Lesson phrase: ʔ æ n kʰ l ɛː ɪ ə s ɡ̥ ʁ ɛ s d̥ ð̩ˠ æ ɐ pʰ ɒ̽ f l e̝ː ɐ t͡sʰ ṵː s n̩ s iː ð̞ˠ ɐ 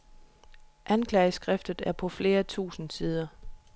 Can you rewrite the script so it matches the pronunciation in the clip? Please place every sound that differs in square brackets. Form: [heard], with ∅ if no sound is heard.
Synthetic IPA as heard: ʔ æ n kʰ l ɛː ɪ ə s ɡ̥ ʁ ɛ [f] d̥ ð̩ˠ æ ɐ pʰ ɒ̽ f l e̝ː ɐ t͡sʰ ṵː s n̩ s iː ð̞ˠ ɐ